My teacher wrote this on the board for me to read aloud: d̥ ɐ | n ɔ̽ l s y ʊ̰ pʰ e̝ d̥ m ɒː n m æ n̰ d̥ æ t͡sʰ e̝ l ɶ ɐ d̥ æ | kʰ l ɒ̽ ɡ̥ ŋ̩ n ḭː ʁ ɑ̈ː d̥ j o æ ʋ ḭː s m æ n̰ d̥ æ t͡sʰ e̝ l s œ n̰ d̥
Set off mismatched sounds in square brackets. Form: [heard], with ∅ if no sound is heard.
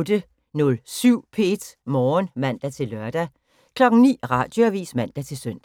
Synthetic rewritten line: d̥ [ə] | n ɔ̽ l s y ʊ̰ pʰ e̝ d̥ m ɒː n m æ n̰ d̥ æ t͡sʰ e̝ l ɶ ɐ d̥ æ | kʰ l ɒ̽ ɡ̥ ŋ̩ n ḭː ʁ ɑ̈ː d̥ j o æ ʋ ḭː s m æ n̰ d̥ æ t͡sʰ e̝ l s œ n̰ d̥